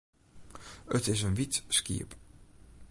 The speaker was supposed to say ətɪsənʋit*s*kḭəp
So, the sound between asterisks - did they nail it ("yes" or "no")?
yes